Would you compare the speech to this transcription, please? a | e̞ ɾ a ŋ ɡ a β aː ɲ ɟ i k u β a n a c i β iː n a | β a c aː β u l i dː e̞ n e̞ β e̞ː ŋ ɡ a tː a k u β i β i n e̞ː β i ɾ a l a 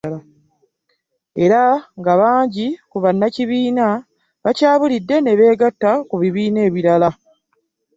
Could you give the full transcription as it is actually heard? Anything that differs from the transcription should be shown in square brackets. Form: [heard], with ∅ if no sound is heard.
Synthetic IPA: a | e̞ ɾ a ŋ ɡ a β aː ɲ ɟ i k u β a [nː] a c i β iː n a | β a c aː β u l i dː e̞ n e̞ β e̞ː [∅] ɡ a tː a k u β i β [iː] n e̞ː β i ɾ a l a